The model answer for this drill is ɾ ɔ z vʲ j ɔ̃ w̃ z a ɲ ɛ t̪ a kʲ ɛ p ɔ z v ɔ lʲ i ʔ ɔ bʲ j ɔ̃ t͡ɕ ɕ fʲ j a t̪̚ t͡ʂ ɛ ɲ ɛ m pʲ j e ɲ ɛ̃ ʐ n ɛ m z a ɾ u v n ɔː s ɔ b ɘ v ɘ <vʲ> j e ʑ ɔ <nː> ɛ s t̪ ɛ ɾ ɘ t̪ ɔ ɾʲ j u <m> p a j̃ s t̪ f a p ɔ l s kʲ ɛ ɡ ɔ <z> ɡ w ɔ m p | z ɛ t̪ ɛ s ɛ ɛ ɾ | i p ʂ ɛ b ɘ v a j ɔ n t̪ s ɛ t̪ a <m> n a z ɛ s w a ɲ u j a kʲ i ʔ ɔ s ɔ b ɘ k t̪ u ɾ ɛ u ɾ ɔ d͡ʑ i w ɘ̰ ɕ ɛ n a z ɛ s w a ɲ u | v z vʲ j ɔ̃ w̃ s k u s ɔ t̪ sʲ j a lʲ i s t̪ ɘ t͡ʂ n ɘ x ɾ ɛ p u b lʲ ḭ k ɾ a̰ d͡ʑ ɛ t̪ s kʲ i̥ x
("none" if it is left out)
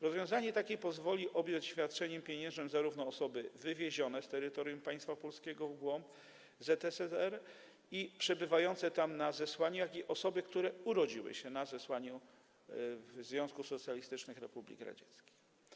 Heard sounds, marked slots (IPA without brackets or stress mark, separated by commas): vʲ, n, m, v, m